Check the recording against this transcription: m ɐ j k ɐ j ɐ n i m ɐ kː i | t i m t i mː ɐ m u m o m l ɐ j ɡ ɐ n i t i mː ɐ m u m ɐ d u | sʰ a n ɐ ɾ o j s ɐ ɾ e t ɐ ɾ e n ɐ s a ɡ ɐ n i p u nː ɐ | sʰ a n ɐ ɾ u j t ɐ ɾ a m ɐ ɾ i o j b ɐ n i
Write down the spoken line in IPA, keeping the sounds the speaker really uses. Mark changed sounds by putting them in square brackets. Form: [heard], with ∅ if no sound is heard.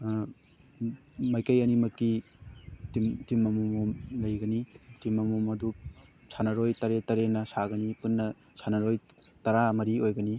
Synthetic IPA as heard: m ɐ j k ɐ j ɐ n i m ɐ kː i | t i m t i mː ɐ m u m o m l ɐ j ɡ ɐ n i t i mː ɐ m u m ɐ d u | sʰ a n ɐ ɾ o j [t] ɐ ɾ e t ɐ ɾ e n ɐ s a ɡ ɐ n i p u nː ɐ | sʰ a n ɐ ɾ [o] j t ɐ ɾ a m ɐ ɾ i o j [ɡ] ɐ n i